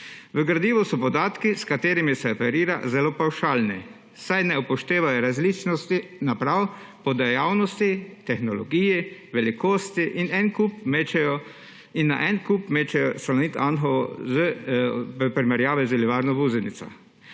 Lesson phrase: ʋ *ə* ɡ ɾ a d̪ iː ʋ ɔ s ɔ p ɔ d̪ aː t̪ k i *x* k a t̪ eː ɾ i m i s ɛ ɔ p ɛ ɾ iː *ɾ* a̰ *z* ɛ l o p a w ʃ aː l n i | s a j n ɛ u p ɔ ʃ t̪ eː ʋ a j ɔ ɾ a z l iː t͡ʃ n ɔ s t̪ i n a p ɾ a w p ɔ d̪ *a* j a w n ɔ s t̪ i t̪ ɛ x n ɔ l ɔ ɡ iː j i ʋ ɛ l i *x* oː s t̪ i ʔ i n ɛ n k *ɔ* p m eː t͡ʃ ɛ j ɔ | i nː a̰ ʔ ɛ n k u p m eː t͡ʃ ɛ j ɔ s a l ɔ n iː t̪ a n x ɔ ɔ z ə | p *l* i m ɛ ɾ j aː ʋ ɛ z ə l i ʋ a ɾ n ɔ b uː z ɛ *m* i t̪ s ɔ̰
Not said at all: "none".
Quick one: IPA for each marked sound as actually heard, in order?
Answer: ə, s, ɾ, z, ɛ, k, u, ɾ, n

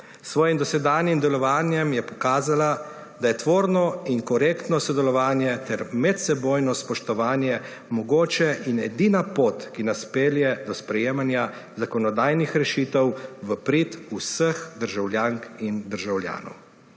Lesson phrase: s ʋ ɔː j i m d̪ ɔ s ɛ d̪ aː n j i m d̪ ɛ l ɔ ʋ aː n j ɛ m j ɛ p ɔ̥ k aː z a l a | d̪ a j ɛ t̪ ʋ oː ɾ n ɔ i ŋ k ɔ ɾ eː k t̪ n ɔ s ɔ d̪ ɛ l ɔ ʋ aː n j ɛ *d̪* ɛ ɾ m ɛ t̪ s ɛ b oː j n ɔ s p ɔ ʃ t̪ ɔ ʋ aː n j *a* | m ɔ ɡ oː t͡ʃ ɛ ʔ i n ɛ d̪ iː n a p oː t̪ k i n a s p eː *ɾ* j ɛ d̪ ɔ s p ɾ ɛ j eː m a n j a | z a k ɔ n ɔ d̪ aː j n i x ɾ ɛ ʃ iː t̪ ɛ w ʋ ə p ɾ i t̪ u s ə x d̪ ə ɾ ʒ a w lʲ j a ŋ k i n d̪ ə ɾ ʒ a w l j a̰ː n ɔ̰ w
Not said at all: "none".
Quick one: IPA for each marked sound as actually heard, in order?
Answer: t̪, ɛ, l

